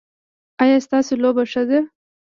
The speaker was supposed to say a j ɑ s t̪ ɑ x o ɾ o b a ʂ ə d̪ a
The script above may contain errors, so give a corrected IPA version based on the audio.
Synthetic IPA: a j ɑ s t̪ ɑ s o l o b a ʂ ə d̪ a